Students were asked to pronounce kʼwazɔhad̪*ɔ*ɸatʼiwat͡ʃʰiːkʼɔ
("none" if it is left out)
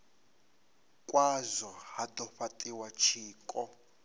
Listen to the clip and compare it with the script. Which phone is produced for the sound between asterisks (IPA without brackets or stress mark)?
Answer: ɔ